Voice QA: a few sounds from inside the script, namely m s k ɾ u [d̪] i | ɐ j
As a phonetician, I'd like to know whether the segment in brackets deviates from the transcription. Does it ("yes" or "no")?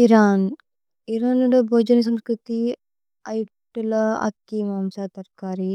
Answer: yes